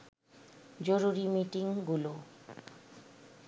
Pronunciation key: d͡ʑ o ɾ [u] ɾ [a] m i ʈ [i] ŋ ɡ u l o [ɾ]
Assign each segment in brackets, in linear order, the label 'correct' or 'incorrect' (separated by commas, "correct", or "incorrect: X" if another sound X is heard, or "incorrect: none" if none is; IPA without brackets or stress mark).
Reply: correct, incorrect: i, correct, incorrect: none